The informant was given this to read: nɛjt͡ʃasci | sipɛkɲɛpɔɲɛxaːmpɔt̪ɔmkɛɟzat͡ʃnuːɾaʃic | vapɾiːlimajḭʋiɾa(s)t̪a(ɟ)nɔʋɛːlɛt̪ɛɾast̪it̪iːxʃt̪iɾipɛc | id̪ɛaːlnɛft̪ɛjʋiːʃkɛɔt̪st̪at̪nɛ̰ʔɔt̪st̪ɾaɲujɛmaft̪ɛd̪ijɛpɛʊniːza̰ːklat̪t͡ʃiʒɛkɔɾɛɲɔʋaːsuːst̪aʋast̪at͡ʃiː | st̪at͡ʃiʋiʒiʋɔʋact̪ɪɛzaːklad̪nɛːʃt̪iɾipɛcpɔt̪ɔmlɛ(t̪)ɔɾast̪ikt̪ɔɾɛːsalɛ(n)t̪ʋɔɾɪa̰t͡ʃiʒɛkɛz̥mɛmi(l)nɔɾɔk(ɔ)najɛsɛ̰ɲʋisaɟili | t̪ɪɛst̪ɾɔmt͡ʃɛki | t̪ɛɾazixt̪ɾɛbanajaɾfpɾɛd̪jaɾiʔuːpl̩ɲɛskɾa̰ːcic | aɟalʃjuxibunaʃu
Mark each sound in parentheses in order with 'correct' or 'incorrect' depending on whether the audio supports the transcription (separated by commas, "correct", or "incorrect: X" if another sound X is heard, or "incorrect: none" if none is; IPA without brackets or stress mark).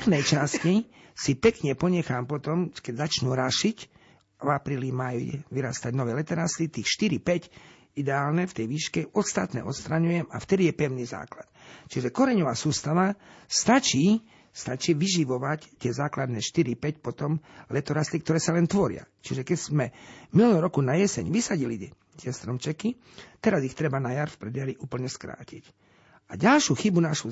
correct, correct, correct, correct, correct, incorrect: u